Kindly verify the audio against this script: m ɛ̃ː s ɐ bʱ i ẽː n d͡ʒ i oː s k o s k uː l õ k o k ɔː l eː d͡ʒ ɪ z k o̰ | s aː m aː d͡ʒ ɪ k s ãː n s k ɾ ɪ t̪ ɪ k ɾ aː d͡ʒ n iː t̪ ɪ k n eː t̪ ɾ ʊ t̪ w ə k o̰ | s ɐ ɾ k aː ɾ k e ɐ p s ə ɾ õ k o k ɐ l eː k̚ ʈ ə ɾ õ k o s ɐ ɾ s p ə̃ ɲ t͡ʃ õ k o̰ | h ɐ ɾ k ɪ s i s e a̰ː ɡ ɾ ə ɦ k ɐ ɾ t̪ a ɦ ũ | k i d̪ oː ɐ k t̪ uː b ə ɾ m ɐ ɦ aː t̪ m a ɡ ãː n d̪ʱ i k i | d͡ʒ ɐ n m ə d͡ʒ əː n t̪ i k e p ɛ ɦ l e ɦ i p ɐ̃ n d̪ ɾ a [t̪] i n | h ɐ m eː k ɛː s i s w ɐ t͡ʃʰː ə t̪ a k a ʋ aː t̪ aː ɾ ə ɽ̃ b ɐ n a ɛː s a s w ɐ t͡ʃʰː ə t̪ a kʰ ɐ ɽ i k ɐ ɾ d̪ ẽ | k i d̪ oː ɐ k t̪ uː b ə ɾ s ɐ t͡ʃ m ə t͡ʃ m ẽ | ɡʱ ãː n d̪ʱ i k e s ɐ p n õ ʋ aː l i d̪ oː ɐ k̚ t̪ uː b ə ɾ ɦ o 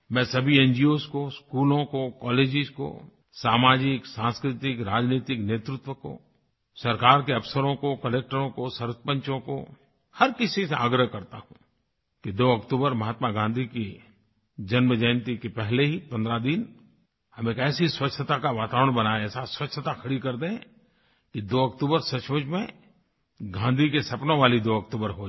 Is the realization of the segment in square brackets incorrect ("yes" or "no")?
yes